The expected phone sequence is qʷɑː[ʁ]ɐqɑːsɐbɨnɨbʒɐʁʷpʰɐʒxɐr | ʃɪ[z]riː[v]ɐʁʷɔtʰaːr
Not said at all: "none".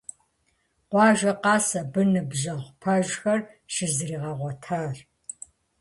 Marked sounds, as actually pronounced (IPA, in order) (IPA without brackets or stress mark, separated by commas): ʒ, z, ʁ